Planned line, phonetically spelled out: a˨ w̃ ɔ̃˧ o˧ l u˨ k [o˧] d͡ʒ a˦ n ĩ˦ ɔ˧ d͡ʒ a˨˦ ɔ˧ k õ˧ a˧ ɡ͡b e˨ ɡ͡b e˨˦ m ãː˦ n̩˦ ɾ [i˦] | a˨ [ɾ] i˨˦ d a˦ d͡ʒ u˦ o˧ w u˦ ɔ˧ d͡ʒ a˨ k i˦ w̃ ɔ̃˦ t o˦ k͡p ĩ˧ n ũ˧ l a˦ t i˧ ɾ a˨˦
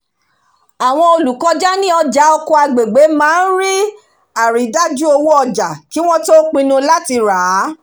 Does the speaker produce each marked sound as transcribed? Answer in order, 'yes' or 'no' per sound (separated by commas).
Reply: no, yes, yes